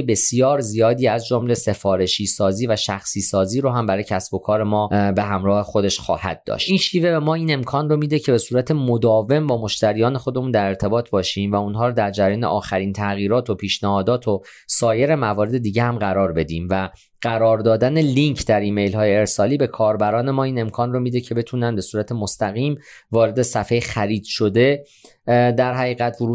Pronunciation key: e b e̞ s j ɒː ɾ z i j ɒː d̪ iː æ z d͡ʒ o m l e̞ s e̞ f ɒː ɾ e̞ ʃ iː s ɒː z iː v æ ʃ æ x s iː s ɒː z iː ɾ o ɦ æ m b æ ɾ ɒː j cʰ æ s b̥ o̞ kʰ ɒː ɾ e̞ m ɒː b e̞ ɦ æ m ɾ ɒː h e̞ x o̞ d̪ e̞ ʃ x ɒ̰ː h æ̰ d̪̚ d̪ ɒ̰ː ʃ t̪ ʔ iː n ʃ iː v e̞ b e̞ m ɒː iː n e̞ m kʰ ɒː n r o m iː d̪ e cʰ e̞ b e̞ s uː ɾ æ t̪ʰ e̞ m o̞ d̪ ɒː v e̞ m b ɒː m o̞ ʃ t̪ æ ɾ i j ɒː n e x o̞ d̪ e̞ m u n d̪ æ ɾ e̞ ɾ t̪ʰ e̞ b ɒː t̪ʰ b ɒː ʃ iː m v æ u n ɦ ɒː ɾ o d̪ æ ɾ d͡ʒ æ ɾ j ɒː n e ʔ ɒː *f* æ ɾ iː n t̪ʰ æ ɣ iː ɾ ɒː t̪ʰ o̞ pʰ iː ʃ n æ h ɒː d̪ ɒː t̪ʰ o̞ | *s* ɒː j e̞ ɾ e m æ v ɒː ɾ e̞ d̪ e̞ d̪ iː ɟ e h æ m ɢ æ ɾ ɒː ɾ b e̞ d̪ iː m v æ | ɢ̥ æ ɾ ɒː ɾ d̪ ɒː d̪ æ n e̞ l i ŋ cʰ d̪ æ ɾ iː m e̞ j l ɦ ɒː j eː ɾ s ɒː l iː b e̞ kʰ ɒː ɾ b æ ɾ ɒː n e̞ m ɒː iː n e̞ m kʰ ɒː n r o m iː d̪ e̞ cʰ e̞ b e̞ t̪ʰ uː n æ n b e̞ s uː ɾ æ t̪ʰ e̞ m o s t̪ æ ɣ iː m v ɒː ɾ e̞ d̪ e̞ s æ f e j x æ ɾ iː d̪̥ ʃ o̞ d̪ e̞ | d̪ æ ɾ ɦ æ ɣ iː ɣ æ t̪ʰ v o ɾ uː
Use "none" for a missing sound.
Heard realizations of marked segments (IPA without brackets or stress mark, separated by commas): x, s